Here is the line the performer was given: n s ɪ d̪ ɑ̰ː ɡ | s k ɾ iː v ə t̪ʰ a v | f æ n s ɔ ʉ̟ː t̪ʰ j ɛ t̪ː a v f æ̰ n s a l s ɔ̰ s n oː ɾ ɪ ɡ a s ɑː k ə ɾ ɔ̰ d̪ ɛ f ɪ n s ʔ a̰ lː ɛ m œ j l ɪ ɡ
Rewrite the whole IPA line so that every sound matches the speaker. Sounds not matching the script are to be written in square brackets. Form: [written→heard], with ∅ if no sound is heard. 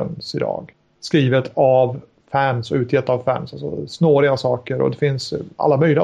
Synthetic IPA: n s ɪ d̪ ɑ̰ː ɡ | s k ɾ iː v ə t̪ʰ a v | f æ n s ɔ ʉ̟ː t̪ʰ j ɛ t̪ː a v f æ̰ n s a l s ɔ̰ s n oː ɾ ɪ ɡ a s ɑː k ə ɾ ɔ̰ d̪ ɛ f ɪ n s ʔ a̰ lː [ɛ→a] m œ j l ɪ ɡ